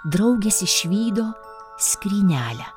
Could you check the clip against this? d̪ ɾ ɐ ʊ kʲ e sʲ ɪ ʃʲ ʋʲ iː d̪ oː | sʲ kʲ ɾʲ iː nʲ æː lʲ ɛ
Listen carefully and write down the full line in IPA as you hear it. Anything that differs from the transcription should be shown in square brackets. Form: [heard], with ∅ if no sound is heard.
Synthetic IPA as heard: d̪ ɾ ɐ ʊ [ɡʲ] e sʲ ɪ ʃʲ ʋʲ iː d̪ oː | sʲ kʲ ɾʲ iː nʲ æː lʲ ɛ